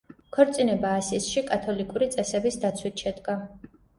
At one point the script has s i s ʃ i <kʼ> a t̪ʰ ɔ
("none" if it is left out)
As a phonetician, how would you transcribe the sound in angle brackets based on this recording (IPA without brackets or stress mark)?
kʼ